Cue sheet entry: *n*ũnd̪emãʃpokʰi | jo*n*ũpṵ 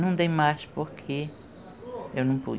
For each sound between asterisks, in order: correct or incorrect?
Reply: correct, correct

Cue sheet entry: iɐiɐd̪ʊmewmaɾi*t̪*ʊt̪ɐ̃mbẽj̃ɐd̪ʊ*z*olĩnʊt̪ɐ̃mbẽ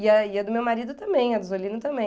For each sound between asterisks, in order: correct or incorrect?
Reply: incorrect: d̪, correct

